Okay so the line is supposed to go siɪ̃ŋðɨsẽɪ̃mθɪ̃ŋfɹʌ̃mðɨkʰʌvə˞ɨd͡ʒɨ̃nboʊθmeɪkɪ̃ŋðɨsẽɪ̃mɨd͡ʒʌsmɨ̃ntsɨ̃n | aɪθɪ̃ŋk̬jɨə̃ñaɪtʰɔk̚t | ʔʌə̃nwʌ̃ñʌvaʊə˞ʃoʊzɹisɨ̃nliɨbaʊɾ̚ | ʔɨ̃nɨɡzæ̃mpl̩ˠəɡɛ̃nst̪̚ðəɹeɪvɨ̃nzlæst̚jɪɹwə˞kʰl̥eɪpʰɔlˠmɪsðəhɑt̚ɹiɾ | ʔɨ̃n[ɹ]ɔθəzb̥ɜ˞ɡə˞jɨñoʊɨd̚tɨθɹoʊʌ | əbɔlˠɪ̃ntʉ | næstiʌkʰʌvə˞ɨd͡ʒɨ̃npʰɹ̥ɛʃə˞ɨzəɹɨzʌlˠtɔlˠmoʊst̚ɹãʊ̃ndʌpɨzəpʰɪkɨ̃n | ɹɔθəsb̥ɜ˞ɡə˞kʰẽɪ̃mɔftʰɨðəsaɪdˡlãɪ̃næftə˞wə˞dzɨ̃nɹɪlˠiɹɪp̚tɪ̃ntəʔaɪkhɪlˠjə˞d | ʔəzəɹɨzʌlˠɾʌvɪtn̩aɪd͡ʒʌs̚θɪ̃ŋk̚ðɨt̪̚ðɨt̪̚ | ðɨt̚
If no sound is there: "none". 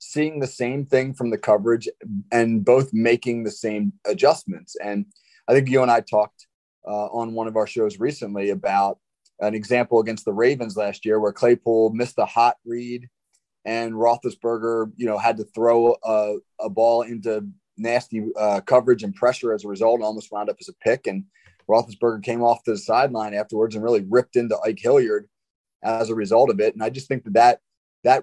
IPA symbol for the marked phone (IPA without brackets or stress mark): ɹ